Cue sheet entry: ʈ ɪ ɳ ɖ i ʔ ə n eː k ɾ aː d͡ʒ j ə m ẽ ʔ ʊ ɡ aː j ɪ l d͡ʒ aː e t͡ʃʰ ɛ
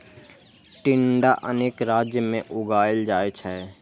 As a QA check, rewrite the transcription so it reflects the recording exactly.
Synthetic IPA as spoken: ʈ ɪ ɳ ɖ a ʔ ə n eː k ɾ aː d͡ʒ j ə m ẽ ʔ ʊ ɡ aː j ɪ l d͡ʒ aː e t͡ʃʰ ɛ